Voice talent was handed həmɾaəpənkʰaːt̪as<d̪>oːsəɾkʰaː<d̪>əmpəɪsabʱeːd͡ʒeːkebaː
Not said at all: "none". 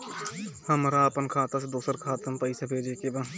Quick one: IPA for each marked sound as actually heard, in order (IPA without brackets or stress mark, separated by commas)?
d̪, t̪